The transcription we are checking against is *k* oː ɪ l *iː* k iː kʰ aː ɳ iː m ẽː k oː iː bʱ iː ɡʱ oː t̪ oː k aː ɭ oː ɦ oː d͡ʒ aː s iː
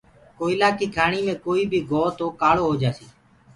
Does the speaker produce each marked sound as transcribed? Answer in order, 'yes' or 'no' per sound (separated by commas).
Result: yes, no